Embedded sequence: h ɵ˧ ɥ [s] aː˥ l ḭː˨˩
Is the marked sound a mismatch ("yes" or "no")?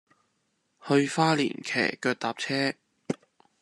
yes